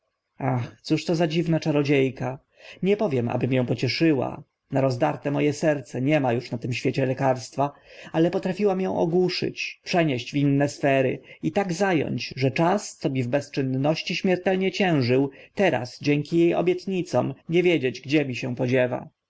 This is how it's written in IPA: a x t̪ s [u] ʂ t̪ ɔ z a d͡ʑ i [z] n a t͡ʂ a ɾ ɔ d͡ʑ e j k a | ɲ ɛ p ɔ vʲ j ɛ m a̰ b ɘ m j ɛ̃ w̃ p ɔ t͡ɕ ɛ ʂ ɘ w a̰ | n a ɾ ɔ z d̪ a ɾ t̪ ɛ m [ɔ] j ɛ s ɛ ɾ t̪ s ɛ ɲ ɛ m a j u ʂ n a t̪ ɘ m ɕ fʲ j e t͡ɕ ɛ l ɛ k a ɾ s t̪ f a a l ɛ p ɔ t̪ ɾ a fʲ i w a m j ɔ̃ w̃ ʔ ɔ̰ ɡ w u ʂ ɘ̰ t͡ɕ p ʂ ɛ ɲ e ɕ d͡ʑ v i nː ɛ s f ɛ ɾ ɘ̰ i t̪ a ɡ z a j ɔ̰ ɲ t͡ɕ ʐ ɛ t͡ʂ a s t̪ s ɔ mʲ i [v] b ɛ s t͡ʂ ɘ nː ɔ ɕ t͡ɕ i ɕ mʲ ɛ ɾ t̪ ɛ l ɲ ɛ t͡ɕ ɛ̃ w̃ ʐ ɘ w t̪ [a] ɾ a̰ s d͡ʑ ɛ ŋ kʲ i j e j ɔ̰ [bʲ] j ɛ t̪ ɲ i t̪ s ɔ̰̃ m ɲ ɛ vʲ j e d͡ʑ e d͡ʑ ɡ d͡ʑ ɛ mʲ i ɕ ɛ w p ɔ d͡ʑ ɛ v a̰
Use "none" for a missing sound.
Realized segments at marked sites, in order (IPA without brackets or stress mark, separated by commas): u, v, ɔ, v, ɛ, bʲ